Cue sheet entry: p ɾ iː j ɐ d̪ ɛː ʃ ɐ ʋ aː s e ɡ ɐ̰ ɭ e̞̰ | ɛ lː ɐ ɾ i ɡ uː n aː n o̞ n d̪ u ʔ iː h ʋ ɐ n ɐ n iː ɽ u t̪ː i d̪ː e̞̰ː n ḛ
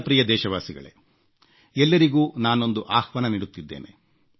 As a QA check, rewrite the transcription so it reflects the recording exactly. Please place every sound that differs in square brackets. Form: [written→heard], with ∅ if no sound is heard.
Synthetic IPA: p ɾ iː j ɐ d̪ ɛː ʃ ɐ ʋ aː s [e→i] ɡ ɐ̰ ɭ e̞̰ | ɛ lː ɐ ɾ i ɡ uː n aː n o̞ n d̪ u ʔ [iː→aː] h ʋ ɐ n ɐ n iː ɽ u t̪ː i d̪ː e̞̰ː n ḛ